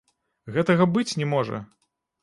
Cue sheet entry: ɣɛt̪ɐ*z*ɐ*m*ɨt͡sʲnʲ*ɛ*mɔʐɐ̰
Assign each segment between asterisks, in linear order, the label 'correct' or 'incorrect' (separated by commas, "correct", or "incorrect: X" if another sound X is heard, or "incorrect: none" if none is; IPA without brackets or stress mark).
incorrect: ɣ, incorrect: b, correct